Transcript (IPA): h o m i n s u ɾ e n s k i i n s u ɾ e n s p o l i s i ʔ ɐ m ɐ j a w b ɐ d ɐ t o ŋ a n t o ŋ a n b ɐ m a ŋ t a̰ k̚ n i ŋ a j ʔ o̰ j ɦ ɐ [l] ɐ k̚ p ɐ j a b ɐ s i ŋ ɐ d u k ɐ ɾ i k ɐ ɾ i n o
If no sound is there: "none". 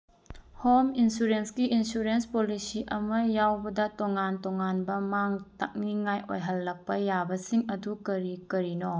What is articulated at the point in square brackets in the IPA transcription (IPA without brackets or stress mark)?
lː